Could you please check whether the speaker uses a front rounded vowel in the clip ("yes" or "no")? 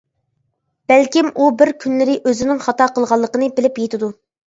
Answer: yes